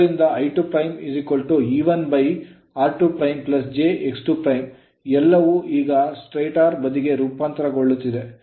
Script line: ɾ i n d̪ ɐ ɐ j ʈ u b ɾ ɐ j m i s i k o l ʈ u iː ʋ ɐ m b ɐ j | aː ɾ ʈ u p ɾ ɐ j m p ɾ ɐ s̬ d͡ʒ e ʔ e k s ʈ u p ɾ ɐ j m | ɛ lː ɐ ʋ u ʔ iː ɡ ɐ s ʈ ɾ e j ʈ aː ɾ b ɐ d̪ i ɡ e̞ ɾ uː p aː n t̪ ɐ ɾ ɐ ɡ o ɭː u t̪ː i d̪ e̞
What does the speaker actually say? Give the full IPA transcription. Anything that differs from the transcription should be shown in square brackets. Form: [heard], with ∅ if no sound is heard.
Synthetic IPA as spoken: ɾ i n d̪ ɐ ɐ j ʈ u [p] ɾ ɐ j m i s i k o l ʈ u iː ʋ ɐ [n] b ɐ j | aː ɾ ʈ u p ɾ ɐ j m p [l] ɐ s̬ d͡ʒ e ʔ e k s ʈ u p ɾ ɐ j m | ɛ lː ɐ ʋ u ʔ iː ɡ ɐ s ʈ ɾ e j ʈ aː ɾ b ɐ d̪ i ɡ e̞ ɾ uː p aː n t̪ ɐ ɾ ɐ ɡ o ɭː u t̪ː i d̪ e̞